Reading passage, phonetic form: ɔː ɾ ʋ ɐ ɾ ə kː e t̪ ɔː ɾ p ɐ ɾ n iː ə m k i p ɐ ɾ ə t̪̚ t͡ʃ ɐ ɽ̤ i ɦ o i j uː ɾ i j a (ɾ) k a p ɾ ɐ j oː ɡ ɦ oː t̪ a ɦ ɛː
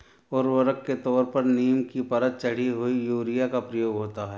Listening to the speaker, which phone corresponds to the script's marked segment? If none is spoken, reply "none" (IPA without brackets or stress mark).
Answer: none